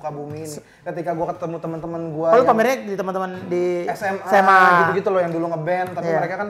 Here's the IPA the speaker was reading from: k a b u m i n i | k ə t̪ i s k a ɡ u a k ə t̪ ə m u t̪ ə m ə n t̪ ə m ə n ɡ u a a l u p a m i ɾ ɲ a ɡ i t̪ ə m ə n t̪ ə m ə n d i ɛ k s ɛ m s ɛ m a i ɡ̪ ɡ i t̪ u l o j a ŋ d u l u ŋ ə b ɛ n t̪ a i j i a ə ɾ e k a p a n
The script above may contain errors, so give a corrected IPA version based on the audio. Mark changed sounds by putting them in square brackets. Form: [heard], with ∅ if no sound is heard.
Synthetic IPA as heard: k a b u m i n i | k ə t̪ i [∅] k a ɡ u a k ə t̪ ə m u t̪ ə m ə n t̪ ə m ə n ɡ u a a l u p a m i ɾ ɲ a [d] i t̪ ə m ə n t̪ ə m ə n d i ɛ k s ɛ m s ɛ m a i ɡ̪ ɡ i t̪ u l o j a ŋ d u l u ŋ ə b ɛ n t̪ a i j i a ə ɾ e k a [k] a n